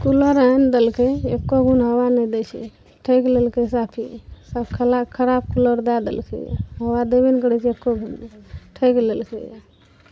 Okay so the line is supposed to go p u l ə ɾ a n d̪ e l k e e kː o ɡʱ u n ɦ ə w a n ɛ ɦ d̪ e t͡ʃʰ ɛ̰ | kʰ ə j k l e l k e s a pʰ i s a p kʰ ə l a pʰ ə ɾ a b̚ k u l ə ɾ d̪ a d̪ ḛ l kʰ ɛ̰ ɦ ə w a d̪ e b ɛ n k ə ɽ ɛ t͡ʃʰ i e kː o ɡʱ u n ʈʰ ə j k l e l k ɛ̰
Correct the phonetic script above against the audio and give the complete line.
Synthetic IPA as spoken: k u l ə ɾ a n d̪ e l k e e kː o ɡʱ u n ɦ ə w a n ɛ d̪ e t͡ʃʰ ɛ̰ | ʈʰ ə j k l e l k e s a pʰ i s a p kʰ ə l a kʰ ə ɾ a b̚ k u l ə ɾ d̪ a d̪ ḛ l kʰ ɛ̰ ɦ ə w a d̪ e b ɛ n k ə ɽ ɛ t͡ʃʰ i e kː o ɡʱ u n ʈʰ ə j k l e l k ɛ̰